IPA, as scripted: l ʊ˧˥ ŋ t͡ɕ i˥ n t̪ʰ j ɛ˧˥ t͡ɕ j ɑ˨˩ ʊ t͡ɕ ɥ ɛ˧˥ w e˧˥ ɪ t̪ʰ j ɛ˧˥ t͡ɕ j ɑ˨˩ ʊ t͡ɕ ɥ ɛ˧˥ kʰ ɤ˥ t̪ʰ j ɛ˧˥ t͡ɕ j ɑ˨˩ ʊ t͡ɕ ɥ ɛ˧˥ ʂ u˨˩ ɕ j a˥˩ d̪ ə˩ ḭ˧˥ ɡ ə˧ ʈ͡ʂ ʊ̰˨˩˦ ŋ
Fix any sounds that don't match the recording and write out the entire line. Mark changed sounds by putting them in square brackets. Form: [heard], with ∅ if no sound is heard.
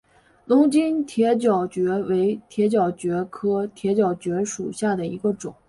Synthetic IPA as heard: l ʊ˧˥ ŋ t͡ɕ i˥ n t̪ʰ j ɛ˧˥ t͡ɕ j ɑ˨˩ ʊ t͡ɕ ɥ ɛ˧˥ w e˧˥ ɪ t̪ʰ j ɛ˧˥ t͡ɕ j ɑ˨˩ ʊ t͡ɕ ɥ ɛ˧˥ kʰ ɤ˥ t̪ʰ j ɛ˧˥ t͡ɕ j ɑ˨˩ ʊ t͡ɕ ɥ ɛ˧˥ ʂ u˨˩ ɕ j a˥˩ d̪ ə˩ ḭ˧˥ ɡ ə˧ ʈ͡ʂ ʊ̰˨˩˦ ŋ